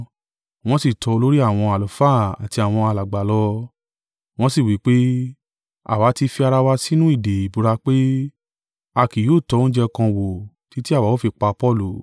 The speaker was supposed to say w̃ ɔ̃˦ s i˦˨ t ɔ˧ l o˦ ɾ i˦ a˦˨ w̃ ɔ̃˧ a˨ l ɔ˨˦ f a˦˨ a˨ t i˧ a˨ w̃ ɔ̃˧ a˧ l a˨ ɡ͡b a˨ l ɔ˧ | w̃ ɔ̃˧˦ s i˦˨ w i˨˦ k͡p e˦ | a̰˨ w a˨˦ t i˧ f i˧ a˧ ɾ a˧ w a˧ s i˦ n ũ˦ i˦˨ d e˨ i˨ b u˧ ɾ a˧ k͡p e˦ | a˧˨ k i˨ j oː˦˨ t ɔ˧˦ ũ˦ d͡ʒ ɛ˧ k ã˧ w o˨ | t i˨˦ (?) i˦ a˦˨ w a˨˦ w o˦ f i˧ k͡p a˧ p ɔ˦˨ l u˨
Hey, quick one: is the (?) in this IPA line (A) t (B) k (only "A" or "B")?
A